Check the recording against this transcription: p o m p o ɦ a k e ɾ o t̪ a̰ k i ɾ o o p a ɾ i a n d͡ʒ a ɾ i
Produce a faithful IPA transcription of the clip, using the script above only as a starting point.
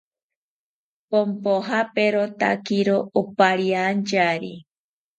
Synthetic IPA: p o m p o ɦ a p e ɾ o t̪ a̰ k i ɾ o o p a ɾ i a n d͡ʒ a ɾ i